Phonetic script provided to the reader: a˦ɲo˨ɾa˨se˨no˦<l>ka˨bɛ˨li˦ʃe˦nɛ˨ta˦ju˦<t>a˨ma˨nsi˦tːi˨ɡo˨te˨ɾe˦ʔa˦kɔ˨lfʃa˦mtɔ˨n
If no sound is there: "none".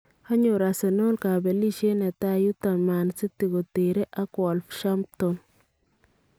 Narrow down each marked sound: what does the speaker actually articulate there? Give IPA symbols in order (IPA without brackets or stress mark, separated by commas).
l, t